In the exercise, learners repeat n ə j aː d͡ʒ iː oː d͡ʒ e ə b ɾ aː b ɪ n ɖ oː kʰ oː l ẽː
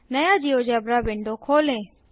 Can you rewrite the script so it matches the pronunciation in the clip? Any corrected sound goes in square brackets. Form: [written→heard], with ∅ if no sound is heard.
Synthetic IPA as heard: n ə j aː d͡ʒ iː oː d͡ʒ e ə b ɾ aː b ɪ [n→ɳ] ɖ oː kʰ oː l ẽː

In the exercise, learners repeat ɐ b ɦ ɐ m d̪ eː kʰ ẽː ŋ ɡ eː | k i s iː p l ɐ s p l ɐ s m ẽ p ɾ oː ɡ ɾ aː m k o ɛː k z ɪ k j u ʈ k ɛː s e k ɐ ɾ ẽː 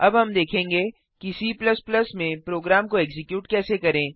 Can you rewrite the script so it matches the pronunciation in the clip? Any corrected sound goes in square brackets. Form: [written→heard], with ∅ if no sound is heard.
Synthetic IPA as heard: ɐ b ɦ ɐ m d̪ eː kʰ ẽː ŋ ɡ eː | k i s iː p l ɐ s p l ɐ s m ẽ p ɾ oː ɡ ɾ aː m k o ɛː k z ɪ k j [u→uː] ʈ k ɛː s e k ɐ ɾ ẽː

